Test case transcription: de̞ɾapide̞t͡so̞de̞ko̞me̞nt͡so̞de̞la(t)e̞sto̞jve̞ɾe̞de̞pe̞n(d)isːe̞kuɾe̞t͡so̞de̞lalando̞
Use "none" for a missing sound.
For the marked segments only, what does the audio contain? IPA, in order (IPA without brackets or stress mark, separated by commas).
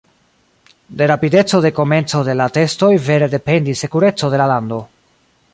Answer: t, d